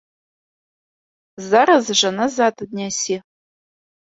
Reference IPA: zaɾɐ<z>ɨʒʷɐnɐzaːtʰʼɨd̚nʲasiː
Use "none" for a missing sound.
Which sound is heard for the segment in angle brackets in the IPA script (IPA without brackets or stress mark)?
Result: z